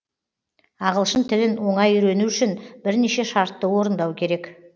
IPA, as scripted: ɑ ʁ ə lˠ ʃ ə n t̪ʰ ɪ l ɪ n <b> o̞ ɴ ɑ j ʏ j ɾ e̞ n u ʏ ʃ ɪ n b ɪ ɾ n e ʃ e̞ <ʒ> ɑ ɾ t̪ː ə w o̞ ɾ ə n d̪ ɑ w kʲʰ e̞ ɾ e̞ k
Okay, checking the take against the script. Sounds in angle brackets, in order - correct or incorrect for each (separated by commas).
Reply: incorrect, incorrect